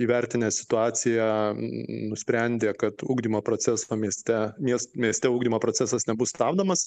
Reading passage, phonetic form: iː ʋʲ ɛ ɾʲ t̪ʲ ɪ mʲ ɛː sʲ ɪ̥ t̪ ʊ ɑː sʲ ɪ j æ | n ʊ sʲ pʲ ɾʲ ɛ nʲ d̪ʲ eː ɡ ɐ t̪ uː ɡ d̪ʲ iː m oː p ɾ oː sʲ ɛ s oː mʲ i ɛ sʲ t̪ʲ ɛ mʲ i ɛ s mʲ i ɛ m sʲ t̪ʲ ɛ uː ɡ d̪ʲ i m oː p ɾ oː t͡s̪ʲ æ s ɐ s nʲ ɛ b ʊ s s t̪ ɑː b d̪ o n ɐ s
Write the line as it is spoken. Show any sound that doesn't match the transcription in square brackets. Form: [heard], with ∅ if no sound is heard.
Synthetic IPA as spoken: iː ʋʲ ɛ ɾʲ t̪ʲ ɪ [nʲ] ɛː sʲ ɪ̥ t̪ ʊ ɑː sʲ ɪ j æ | n ʊ sʲ pʲ ɾʲ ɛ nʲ d̪ʲ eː [k] ɐ t̪ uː ɡ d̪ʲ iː m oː p ɾ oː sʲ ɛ s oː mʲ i ɛ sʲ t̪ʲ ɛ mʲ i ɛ s mʲ i ɛ [∅] sʲ t̪ʲ ɛ uː ɡ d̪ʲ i m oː p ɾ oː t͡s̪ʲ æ s ɐ s nʲ ɛ b ʊ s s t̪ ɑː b d̪ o [m] ɐ s